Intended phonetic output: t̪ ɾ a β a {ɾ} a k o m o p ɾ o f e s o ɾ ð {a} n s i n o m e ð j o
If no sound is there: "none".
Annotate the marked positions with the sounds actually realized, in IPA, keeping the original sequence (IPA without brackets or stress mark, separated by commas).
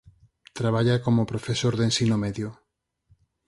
ʎ, e